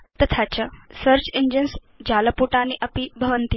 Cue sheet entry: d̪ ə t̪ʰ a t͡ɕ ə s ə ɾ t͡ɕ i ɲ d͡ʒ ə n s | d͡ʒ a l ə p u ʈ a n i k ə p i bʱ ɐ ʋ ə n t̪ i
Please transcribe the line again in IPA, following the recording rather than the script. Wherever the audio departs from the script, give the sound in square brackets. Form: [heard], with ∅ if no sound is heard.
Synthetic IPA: [t̪] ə t̪ʰ a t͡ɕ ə s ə ɾ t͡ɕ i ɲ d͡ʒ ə n s | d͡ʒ a l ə p u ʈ a n i [ʔ] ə p i bʱ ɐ ʋ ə n t̪ i